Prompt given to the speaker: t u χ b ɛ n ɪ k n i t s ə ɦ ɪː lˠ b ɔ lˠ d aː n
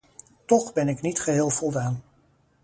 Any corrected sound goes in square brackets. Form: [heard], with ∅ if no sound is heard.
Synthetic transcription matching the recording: t [ɔ] χ b ɛ n ɪ k n i t [χ] ə ɦ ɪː lˠ [v] ɔ lˠ d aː n